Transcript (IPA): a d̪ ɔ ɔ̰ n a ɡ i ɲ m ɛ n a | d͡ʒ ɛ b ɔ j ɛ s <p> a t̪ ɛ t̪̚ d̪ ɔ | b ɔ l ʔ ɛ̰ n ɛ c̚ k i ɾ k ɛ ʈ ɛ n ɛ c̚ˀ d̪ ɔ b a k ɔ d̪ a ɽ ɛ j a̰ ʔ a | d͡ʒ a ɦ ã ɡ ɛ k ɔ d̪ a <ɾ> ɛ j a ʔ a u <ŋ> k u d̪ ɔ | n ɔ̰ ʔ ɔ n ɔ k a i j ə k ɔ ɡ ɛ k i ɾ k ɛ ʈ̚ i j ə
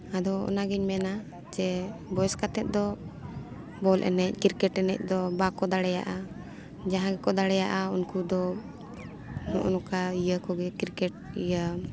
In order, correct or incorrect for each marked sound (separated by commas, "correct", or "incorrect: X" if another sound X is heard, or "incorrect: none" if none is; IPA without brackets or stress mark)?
incorrect: k, incorrect: ɽ, incorrect: n